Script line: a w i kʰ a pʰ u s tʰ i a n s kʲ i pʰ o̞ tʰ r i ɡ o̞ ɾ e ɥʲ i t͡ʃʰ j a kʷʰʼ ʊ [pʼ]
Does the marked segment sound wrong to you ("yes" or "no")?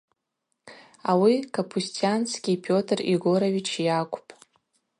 no